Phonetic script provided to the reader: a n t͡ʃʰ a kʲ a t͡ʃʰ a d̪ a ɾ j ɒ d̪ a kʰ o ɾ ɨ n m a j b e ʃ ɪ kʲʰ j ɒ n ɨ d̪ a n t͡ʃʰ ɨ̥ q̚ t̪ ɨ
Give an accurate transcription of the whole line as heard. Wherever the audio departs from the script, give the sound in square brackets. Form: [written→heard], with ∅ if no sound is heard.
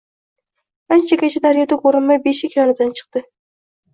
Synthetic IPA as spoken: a n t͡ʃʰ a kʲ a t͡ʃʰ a d̪ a ɾ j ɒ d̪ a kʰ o ɾ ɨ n m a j b e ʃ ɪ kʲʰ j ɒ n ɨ d̪ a n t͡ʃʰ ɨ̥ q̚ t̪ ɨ

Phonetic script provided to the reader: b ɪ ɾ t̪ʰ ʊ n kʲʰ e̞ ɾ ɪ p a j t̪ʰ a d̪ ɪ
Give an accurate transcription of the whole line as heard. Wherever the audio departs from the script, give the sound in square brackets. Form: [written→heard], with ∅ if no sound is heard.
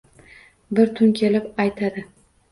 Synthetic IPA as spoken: b ɪ ɾ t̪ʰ ʊ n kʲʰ e̞ [ɾ→l] ɪ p a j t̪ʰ a d̪ ɪ

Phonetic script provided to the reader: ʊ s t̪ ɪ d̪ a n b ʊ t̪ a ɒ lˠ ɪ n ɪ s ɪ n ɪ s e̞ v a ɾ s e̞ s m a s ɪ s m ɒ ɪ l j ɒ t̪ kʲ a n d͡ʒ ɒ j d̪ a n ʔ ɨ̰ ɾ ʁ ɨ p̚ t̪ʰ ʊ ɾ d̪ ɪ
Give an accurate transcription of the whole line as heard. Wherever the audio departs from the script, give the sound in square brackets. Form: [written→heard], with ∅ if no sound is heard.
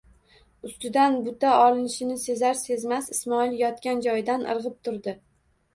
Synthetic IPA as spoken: ʊ s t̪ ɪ d̪ a n b ʊ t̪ a ɒ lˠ ɪ n ɪ [s→ʃ] ɪ n ɪ s e̞ [v→z] a ɾ s e̞ [s→z] m a s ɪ s m ɒ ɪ l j ɒ t̪ kʲ a n d͡ʒ ɒ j d̪ a n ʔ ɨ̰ ɾ ʁ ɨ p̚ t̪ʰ ʊ ɾ d̪ ɪ

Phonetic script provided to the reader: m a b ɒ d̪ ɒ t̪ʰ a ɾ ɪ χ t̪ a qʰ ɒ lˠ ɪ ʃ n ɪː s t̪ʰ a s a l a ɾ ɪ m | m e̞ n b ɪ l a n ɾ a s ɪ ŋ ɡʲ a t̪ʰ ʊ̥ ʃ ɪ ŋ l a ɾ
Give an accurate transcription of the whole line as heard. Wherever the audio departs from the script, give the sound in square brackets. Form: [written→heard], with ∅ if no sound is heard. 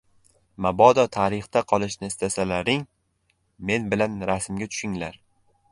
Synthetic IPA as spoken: m a b ɒ d̪ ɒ t̪ʰ a ɾ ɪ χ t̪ a qʰ ɒ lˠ ɪ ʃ n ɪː s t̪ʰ a s a l a ɾ ɪ [m→ŋ] | m e̞ n b ɪ l a n ɾ a s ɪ [ŋ→m] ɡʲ a t̪ʰ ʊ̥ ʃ ɪ ŋ l a ɾ

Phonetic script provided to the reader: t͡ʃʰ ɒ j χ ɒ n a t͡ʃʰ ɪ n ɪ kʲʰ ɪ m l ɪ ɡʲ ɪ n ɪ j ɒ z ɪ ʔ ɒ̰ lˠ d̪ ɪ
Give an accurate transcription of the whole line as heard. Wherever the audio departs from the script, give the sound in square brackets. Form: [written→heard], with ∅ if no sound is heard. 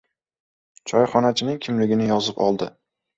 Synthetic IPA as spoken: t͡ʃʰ ɒ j χ ɒ n a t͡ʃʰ ɪ n ɪ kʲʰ ɪ m l ɪ ɡʲ ɪ n ɪ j ɒ z ɪ [ʔ→p] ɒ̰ lˠ d̪ ɪ

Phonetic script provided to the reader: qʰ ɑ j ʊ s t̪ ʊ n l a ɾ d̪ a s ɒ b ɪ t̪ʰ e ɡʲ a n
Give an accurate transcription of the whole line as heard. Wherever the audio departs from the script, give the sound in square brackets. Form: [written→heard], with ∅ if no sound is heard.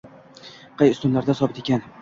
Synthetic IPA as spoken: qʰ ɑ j ʊ s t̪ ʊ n l a ɾ d̪ a s ɒ b ɪ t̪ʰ e [ɡʲ→kʲ] a n

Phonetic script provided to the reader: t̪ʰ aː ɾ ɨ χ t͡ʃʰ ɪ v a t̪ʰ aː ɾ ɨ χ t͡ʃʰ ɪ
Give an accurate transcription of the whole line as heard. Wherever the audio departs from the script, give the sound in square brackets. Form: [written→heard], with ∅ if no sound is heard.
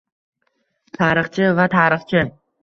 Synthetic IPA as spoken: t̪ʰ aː ɾ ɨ χ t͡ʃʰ ɪ v a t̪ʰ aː ɾ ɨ χ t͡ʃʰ ɪ

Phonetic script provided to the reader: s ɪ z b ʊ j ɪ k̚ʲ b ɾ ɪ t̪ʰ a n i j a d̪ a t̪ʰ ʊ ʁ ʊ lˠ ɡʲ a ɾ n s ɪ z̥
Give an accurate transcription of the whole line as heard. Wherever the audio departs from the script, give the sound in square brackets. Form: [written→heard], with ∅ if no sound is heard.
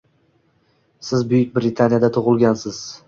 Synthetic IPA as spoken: s ɪ z b ʊ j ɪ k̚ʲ b ɾ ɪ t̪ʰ a n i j a d̪ a t̪ʰ ʊ ʁ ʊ lˠ ɡʲ a [ɾ→∅] n s ɪ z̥

